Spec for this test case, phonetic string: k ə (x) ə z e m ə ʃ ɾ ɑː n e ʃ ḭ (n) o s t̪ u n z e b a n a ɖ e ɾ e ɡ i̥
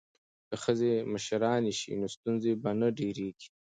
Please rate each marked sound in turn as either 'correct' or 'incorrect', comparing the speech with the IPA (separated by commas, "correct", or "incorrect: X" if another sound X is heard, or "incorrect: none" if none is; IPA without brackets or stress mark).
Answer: correct, correct